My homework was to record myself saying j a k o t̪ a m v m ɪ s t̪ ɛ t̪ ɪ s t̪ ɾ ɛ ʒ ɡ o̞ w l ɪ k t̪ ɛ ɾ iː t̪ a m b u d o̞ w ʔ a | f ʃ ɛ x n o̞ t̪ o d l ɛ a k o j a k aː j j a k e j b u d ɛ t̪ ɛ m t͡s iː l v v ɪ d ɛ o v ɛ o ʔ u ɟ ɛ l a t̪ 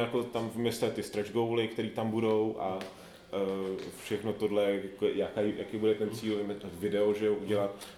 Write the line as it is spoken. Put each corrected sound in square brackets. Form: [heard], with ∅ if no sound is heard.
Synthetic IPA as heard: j a k o t̪ a m v m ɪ s t̪ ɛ t̪ ɪ s t̪ ɾ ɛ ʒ ɡ o̞ w l ɪ k t̪ ɛ ɾ iː t̪ a m b u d o̞ w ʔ a | f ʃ ɛ x n o̞ t̪ o d l ɛ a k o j a k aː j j a k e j b u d ɛ t̪ ɛ [n] t͡s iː l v v ɪ d ɛ o [ʒ] ɛ o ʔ u ɟ ɛ l a t̪